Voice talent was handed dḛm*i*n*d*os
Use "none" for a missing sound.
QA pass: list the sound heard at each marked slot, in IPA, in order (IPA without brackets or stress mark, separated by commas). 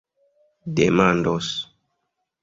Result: a, d